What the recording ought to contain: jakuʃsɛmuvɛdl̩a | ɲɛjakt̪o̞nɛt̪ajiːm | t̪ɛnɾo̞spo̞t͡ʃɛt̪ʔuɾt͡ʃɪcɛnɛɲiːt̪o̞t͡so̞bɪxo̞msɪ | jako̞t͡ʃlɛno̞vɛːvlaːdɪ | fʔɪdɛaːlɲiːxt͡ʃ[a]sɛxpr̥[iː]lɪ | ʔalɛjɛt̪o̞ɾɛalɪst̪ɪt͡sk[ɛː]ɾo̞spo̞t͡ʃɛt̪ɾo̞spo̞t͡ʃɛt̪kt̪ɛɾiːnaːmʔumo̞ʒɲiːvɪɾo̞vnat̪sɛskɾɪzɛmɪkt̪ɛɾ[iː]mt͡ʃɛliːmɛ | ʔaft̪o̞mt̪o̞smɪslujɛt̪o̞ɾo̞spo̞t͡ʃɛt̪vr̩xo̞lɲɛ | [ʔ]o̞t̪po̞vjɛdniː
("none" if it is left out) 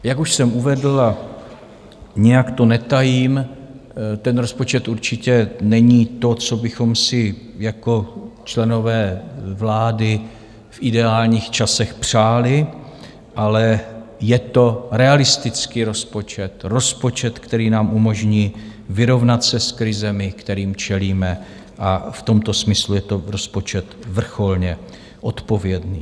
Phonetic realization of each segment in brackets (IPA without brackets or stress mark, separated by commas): a, aː, iː, iː, ʔ